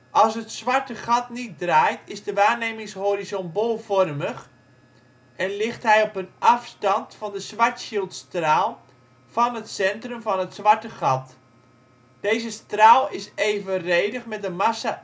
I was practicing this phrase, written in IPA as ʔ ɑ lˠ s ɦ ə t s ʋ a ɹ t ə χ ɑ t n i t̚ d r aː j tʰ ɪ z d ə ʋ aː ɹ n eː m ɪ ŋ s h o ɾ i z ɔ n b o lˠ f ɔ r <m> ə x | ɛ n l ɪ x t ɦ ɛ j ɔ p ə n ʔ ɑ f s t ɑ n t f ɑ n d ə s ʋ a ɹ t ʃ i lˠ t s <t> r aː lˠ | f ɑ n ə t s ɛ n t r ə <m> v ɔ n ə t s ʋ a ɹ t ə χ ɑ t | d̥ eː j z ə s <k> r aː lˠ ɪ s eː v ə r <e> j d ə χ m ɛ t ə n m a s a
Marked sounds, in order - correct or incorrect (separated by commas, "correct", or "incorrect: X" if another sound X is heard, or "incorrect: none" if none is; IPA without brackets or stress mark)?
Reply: correct, correct, correct, incorrect: t, correct